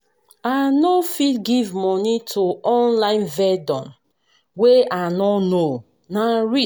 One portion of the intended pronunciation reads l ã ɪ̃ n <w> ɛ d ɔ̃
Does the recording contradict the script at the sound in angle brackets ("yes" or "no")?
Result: yes